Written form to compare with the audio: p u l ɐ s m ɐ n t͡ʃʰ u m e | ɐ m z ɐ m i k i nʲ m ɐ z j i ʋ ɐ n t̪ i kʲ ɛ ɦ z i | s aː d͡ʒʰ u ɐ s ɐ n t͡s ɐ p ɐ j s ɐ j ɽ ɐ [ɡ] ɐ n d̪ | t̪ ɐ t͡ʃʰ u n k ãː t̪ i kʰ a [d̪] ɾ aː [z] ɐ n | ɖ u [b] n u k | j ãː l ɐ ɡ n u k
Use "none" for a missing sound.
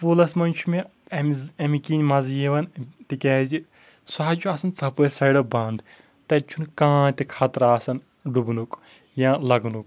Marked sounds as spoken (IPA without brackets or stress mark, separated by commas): b, t̪, s, b